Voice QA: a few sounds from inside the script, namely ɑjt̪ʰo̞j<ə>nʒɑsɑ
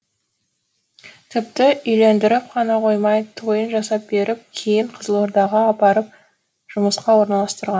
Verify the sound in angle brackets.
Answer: correct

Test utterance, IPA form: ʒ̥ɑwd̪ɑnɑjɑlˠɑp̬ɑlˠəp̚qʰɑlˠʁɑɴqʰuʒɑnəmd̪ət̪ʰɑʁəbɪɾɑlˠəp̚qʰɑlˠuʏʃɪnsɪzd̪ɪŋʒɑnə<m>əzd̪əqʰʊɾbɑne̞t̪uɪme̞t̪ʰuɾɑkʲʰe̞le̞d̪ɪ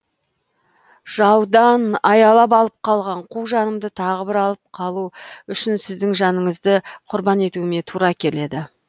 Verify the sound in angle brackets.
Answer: incorrect: ɴ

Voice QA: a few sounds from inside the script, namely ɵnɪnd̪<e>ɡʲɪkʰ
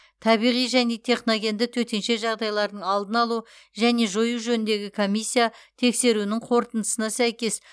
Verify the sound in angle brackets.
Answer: correct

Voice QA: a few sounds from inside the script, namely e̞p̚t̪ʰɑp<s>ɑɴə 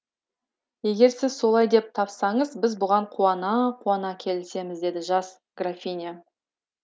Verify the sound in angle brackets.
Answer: correct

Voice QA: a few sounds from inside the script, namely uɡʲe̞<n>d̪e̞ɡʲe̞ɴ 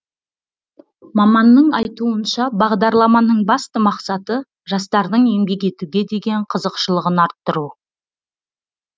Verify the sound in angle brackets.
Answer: incorrect: none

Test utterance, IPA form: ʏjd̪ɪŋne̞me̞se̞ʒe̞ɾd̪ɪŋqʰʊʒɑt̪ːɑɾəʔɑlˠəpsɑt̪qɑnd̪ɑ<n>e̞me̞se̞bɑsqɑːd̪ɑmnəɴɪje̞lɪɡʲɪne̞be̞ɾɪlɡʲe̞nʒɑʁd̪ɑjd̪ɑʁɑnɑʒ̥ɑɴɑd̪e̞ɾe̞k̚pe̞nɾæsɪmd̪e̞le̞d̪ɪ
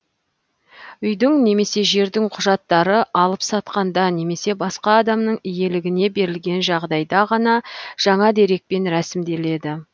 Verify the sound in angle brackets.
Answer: correct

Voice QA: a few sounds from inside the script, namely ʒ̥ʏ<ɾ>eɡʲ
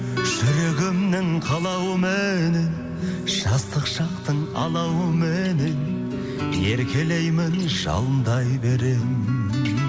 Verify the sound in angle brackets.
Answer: correct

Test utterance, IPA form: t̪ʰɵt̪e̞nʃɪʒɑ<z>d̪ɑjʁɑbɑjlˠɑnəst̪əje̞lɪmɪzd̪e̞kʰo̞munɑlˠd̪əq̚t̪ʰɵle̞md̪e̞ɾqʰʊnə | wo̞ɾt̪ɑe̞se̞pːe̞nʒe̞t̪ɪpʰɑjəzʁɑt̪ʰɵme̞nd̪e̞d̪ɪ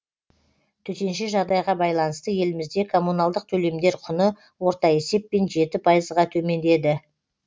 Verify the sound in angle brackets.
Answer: incorrect: ʁ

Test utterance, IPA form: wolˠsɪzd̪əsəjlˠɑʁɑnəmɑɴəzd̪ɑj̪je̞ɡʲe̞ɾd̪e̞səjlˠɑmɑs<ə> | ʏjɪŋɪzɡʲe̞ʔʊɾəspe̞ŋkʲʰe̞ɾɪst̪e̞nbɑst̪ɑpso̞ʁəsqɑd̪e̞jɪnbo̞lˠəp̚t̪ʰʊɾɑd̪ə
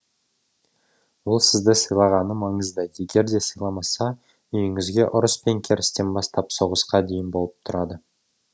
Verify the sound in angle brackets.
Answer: incorrect: ɑ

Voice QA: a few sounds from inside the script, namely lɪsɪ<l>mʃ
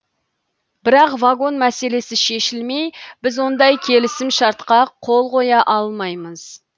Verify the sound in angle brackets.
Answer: incorrect: none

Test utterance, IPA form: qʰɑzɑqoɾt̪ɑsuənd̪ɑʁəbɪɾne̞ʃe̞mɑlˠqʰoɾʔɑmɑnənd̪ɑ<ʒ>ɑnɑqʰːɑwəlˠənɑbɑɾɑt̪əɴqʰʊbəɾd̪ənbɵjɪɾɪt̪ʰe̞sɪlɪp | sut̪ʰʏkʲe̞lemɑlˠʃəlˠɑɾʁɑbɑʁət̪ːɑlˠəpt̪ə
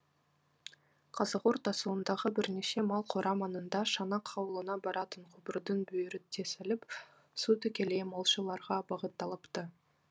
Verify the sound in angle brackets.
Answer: incorrect: ʃ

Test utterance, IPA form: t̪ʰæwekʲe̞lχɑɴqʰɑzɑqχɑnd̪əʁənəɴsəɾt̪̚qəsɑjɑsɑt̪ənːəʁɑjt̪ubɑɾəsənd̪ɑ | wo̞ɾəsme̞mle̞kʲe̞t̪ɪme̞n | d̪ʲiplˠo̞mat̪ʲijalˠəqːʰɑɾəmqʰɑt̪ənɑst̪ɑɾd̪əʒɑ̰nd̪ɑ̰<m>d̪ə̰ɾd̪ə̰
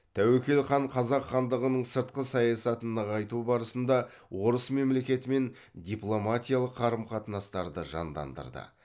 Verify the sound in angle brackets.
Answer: incorrect: n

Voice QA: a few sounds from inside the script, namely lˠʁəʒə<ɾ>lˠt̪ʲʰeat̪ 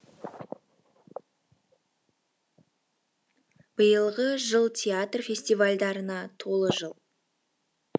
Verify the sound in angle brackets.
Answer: incorrect: none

